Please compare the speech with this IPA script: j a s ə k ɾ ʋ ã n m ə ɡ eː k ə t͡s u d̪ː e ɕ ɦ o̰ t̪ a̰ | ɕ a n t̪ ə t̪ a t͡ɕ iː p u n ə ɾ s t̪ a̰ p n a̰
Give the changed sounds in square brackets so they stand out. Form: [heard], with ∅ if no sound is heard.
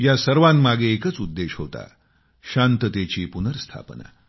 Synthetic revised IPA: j a s ə [∅] ɾ ʋ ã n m [a] ɡ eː k ə t͡s u d̪ː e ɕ ɦ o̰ t̪ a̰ | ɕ a n t̪ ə t̪ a t͡ɕ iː p u n ə ɾ s [t̪ʰ] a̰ p n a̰